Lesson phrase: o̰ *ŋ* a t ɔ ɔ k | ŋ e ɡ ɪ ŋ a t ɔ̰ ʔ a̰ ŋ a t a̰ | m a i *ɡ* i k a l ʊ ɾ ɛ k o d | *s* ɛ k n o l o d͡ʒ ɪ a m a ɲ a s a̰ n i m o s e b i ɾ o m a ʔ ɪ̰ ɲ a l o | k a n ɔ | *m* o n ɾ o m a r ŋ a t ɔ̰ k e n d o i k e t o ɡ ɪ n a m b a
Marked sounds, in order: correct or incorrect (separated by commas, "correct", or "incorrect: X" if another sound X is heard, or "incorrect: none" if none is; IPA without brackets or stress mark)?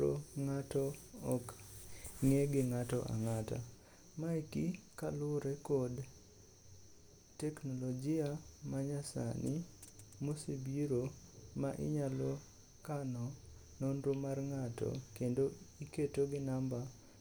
correct, incorrect: k, incorrect: t, incorrect: n